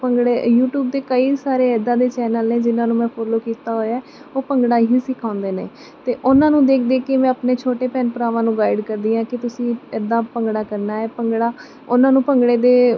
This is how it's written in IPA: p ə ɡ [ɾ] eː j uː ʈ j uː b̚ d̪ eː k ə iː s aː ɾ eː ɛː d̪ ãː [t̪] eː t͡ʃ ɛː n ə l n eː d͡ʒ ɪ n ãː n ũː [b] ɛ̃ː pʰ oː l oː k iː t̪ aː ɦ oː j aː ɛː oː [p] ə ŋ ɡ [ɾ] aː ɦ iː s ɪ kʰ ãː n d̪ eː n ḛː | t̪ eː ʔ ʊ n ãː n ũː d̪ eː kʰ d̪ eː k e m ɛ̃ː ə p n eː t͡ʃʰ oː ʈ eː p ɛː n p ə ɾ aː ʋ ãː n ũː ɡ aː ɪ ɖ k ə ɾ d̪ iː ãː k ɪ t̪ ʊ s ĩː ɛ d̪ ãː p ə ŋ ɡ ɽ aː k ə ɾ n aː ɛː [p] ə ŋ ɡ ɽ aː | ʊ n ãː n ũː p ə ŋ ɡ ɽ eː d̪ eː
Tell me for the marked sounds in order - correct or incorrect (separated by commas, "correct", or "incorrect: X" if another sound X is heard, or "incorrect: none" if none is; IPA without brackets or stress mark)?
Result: incorrect: ɽ, incorrect: d̪, incorrect: m, correct, incorrect: ɽ, correct